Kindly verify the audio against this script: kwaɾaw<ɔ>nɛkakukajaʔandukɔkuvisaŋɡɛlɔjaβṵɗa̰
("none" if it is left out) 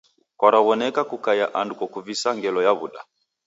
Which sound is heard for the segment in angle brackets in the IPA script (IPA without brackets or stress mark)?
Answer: ɔ